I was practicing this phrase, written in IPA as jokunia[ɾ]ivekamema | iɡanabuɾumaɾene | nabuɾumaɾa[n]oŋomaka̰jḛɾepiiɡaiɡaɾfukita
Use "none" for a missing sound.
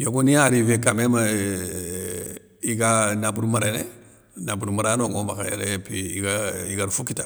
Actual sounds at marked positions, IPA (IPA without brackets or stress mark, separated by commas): ɾ, n